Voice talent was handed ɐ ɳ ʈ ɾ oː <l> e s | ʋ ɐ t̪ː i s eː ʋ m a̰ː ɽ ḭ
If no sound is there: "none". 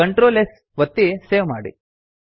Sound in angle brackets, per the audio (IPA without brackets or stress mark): l